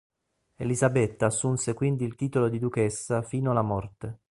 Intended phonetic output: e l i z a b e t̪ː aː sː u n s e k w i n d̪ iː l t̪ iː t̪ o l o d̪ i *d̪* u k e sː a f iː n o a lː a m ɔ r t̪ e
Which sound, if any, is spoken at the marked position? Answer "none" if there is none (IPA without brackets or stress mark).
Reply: d̪